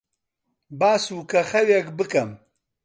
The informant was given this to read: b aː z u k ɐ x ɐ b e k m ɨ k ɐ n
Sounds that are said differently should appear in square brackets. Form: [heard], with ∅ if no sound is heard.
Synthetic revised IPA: b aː [s] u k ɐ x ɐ [w] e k [b] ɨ k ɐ [m]